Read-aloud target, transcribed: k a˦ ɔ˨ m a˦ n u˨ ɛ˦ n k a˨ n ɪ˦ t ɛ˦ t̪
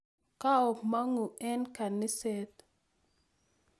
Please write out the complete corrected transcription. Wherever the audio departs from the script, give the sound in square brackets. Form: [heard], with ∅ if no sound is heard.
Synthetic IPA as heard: k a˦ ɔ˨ m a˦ [ŋ] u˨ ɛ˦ n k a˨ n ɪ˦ [s] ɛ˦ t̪